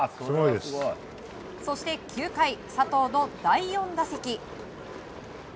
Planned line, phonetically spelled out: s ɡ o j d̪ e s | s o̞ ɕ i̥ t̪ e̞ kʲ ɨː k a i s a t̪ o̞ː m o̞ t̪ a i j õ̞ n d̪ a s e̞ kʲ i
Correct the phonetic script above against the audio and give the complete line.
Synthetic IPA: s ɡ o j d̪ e s | s o̞ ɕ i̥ t̪ e̞ kʲ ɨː k a i s a t̪ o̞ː n o̞ d̪ a i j õ̞ n d̪ a s e̞ kʲ i